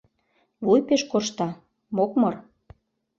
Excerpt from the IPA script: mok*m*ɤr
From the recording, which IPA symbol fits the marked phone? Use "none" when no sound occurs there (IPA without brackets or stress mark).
m